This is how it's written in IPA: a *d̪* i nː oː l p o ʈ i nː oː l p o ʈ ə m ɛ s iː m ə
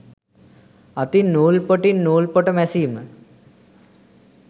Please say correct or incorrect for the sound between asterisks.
incorrect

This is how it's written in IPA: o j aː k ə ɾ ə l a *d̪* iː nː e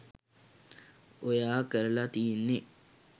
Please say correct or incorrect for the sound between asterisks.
incorrect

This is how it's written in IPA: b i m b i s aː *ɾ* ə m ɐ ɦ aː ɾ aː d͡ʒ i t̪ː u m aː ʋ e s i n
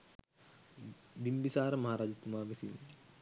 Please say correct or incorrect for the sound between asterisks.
correct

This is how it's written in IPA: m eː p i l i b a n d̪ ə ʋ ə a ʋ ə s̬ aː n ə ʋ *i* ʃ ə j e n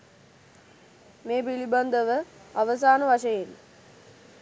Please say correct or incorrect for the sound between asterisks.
incorrect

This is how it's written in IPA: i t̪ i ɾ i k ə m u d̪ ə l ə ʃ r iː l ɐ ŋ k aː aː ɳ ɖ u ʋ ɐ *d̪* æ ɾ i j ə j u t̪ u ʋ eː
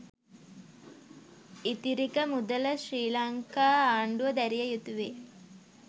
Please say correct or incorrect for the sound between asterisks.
correct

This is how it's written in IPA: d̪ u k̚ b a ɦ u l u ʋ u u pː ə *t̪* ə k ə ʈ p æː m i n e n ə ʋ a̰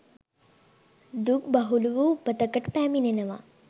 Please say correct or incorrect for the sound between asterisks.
correct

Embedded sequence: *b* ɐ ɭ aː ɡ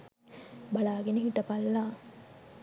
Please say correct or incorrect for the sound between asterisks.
correct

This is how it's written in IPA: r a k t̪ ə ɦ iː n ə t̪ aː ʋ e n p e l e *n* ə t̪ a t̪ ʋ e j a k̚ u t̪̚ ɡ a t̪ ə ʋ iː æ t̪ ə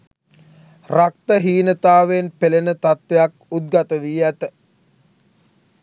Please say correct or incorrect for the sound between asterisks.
correct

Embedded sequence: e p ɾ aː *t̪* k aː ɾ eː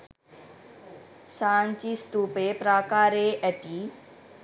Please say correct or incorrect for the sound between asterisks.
incorrect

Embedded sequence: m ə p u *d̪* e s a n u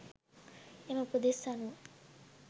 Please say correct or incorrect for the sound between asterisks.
correct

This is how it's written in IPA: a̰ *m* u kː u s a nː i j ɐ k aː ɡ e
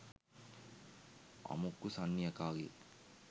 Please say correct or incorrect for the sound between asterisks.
correct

